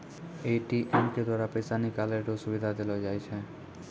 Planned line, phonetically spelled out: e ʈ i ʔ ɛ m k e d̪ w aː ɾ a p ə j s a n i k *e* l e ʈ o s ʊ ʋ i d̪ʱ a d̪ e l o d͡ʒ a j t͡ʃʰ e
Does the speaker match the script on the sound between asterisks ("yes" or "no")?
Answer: no